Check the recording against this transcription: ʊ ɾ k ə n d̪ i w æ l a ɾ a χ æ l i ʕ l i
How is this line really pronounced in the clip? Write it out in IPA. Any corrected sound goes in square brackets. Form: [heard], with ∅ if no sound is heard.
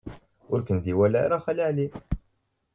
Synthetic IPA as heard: ʊ ɾ k ə n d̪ i w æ l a ɾ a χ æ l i ʕ l i